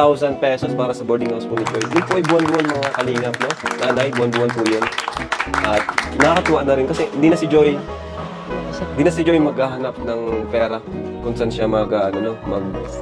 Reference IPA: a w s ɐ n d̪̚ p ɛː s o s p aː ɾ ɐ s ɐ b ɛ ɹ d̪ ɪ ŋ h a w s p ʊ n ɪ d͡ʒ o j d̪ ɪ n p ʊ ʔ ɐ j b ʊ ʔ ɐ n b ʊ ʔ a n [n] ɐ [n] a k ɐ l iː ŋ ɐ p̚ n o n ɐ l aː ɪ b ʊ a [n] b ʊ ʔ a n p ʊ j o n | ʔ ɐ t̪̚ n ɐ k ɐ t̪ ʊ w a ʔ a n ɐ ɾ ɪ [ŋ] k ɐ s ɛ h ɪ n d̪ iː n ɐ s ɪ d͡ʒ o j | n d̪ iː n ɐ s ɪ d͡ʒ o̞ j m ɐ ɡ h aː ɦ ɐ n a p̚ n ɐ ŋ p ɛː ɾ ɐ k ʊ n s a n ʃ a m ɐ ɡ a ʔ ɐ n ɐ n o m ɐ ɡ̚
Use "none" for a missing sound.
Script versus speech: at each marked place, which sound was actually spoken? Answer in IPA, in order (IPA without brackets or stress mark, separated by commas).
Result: m, ŋ, n, n